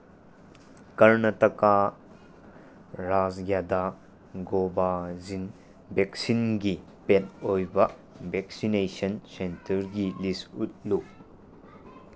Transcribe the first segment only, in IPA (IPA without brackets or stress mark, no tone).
k